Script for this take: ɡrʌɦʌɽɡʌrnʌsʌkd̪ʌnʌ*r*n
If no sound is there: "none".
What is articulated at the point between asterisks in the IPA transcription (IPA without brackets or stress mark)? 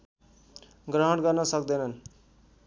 none